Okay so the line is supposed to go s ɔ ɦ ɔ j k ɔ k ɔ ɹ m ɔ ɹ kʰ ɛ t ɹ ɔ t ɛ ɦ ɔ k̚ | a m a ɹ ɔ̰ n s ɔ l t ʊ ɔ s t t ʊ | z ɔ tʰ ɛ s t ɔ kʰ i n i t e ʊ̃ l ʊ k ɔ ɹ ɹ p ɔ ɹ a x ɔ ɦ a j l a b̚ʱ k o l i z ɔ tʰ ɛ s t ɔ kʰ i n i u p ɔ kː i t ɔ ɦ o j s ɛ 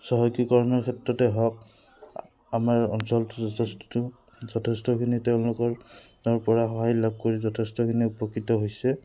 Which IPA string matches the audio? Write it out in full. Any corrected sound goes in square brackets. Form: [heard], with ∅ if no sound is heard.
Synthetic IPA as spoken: s ɔ ɦ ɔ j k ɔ k ɔ ɹ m ɔ ɹ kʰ ɛ t ɹ ɔ t ɛ ɦ ɔ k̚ | a m a ɹ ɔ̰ n s ɔ l t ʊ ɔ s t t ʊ | z ɔ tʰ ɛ s t ɔ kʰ i n i t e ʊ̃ l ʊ k ɔ ɹ ɹ p ɔ ɹ a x ɔ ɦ a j l a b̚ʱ k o [ɹ] i z ɔ tʰ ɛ s t ɔ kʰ i n i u p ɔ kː i t ɔ ɦ o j s ɛ